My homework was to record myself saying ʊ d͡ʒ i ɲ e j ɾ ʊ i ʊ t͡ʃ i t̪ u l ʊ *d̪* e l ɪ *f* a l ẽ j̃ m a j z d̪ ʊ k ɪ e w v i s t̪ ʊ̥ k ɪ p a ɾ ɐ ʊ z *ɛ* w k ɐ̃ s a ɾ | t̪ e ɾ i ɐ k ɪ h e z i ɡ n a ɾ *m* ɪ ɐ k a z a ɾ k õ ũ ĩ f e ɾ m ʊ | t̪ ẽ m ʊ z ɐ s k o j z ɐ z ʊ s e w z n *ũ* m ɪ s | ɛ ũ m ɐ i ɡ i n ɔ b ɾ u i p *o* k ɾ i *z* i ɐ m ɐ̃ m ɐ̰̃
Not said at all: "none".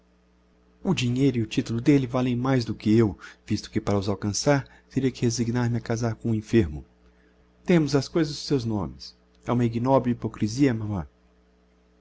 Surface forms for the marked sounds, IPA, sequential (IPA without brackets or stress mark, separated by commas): d̪, v, a, m, õ, o, z